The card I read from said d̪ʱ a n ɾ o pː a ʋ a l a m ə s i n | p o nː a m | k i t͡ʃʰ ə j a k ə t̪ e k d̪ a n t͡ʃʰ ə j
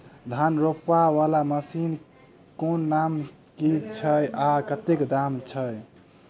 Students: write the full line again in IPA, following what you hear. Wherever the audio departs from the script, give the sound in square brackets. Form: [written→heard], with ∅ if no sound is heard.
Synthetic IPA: d̪ʱ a n ɾ o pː a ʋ a l a m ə s i n | [p→k] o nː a m | k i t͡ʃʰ ə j a k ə t̪ e k d̪ a [n→m] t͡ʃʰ ə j